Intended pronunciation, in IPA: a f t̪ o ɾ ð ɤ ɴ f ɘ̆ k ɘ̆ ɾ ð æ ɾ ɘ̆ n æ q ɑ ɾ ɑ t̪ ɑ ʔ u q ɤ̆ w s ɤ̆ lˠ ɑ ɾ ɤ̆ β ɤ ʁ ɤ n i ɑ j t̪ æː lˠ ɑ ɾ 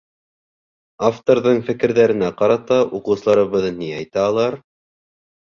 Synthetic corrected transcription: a f t̪ o ɾ ð ɤ ɴ f ɘ̆ k ɘ̆ ɾ ð æ ɾ ɘ̆ n æ q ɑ ɾ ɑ t̪ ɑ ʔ u q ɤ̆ w s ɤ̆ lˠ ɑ ɾ ɤ̆ β ɤ ð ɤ n i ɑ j t̪ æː lˠ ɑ ɾ